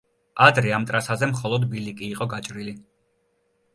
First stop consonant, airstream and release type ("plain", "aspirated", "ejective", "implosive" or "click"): plain